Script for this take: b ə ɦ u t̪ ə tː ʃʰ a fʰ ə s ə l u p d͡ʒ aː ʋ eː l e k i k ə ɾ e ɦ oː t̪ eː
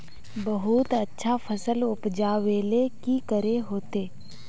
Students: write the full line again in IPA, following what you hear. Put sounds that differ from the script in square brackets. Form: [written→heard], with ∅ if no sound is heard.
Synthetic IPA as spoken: b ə ɦ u t̪ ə tː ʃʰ a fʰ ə s ə l [u→ʊ] p d͡ʒ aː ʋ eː l e k i k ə ɾ e ɦ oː t̪ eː